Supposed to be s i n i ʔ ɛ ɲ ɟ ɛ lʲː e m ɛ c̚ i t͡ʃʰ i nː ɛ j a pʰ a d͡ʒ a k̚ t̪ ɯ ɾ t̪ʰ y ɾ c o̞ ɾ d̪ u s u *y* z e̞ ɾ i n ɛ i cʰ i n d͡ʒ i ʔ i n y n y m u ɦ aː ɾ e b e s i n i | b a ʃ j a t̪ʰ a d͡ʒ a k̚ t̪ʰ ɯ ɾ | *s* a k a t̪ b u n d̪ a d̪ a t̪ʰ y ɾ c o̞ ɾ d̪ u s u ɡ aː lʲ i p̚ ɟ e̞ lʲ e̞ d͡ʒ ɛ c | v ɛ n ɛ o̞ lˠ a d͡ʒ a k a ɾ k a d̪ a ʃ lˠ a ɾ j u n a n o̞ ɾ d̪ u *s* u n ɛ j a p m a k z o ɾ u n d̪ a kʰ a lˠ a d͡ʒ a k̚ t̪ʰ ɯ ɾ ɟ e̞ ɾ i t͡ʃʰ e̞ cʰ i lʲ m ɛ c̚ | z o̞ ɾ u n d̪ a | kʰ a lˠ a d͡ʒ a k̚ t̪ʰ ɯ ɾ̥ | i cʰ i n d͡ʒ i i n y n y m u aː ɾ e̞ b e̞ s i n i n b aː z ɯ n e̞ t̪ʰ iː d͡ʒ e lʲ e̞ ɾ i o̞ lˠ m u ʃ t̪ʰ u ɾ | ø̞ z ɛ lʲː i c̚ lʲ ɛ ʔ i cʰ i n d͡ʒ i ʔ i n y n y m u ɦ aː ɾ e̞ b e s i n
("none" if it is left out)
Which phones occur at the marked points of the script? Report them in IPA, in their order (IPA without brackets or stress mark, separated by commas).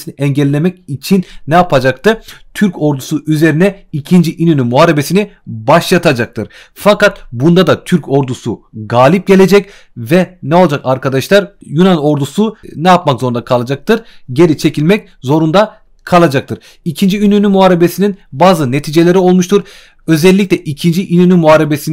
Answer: y, f, s